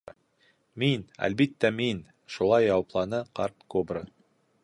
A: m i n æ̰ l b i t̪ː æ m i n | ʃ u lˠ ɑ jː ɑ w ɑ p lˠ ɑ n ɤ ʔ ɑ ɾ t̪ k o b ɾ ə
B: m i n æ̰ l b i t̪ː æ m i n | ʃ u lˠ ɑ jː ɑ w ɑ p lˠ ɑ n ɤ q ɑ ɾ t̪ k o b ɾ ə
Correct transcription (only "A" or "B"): B